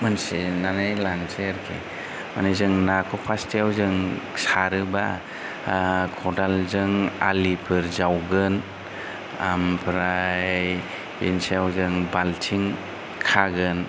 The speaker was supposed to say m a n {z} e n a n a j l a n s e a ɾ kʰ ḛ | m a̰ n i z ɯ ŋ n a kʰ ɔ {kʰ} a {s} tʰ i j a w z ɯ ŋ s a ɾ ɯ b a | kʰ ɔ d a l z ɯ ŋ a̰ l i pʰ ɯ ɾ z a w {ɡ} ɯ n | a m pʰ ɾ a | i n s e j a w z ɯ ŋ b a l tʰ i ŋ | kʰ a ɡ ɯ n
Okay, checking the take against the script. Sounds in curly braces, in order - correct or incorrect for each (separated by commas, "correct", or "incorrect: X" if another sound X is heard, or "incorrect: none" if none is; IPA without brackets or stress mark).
incorrect: s, incorrect: pʰ, correct, correct